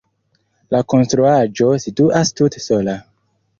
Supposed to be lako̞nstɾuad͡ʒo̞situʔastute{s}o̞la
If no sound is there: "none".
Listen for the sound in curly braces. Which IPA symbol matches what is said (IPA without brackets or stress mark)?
s